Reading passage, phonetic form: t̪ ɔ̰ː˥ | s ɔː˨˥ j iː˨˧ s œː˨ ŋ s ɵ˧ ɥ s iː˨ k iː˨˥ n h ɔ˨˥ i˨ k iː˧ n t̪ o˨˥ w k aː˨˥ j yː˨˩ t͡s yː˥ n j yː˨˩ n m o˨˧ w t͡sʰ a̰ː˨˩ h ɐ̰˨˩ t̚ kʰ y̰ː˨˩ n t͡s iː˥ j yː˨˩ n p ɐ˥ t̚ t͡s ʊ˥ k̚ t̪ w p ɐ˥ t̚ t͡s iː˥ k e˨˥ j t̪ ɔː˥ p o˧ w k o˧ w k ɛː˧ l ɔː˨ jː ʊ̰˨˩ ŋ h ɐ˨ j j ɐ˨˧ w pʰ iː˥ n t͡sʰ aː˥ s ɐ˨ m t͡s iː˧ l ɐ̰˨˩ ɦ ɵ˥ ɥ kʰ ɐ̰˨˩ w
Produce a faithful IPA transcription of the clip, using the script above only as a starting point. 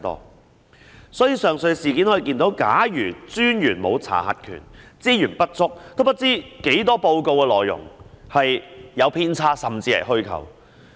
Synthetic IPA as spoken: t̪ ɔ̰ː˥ | s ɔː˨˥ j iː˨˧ s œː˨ ŋ s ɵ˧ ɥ s iː˨ k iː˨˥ n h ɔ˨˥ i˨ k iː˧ n t̪ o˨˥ w k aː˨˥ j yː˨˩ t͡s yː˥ n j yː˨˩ n m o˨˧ w t͡sʰ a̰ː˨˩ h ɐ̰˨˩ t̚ kʰ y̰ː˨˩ n t͡s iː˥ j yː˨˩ n p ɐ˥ t̚ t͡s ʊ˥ k̚ t̪ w p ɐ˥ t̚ t͡s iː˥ k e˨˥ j t̪ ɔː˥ p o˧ w k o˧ w k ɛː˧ l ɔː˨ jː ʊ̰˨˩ ŋ h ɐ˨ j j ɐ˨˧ w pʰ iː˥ n t͡sʰ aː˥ s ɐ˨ m t͡s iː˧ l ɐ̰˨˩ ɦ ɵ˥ ɥ kʰ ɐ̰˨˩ w